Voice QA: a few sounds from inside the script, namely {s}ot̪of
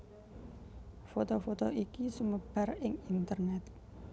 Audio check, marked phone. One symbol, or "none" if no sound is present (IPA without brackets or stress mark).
f